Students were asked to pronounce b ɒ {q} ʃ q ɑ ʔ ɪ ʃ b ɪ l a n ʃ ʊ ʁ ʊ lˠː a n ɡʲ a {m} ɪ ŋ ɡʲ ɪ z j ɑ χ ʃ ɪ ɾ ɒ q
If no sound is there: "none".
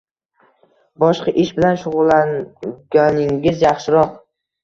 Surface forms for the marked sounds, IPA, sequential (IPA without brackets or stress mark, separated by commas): none, n